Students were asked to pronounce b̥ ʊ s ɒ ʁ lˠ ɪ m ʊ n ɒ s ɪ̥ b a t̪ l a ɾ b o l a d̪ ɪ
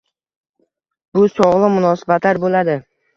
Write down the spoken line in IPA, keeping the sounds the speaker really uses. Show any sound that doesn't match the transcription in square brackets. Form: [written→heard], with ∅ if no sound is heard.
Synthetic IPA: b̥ ʊ s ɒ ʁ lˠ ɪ m ʊ n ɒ s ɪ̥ b a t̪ l a ɾ b o l a d̪ ɪ